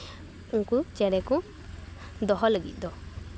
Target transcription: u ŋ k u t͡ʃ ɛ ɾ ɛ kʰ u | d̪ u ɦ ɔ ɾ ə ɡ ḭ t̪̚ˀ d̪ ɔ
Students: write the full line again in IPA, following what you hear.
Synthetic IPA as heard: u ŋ k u t͡ʃ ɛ ɾ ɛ k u | d̪ ɔ ɦ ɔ l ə ɡ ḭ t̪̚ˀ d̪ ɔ